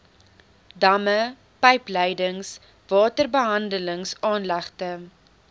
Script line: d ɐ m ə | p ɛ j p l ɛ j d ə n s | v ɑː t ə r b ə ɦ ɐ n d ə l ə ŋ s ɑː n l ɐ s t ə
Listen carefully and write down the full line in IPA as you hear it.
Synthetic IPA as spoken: d ɐ m ə | p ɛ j p l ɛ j d ə ŋ s | v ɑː t ə r b ə ɦ ɐ n d ə l ə ŋ s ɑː n l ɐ χ t ə